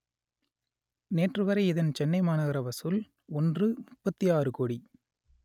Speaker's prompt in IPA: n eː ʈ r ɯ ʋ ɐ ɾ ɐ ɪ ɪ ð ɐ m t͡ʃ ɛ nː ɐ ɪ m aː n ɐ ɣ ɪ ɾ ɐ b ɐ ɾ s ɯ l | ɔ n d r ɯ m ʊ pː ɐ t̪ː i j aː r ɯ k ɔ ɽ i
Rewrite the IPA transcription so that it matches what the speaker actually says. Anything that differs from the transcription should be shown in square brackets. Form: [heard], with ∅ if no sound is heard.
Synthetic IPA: n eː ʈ r ɯ ʋ ɐ ɾ ɐ ɪ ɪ ð ɐ [n] t͡ʃ ɛ nː ɐ ɪ m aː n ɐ ɣ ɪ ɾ ɐ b ɐ [∅] s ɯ l | ɔ n d r ɯ m ʊ pː ɐ t̪ː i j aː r ɯ k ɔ ɽ i